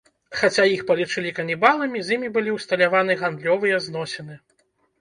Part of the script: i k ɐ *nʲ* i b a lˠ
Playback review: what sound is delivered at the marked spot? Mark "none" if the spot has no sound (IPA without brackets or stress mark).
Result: nʲ